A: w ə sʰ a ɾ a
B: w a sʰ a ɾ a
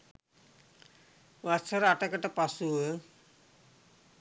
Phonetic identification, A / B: B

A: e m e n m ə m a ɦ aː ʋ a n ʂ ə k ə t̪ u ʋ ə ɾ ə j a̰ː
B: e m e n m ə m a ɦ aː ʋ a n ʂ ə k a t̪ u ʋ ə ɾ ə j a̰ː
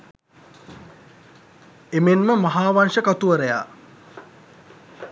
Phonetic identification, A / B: B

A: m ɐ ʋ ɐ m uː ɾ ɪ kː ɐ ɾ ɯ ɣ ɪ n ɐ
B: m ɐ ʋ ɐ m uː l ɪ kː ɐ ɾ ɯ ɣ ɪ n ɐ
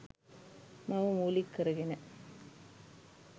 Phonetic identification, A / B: B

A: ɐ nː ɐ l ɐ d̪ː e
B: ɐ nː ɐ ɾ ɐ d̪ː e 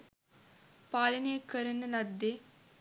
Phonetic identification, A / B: A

